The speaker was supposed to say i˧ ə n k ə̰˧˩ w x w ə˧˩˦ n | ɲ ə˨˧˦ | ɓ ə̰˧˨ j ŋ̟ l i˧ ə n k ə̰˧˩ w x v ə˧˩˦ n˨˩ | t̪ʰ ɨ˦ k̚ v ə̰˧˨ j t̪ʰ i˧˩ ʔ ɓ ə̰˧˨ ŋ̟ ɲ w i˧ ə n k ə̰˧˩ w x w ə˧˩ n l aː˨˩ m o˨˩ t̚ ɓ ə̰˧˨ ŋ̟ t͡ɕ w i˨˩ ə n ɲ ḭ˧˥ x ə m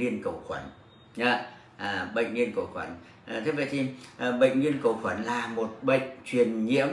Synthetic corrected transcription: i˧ ə n k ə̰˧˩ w x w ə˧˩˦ n | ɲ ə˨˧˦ | ɓ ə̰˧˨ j ŋ̟ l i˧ ə n k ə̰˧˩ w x w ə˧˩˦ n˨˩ | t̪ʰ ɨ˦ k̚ v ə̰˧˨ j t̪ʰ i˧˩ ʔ ɓ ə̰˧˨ ŋ̟ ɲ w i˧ ə n k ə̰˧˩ w x w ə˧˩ n l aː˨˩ m o˨˩ t̚ ɓ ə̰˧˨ ŋ̟ t͡ɕ w i˨˩ ə n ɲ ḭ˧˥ ə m